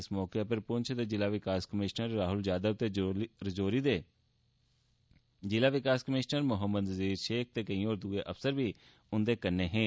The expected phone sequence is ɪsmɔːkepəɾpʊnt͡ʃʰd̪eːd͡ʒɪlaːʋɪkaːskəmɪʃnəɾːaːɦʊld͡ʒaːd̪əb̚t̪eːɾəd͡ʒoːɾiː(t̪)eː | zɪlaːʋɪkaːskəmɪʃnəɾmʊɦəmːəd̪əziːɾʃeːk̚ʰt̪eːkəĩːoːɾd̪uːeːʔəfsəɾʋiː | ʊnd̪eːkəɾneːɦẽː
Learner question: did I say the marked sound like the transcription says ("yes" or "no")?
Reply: no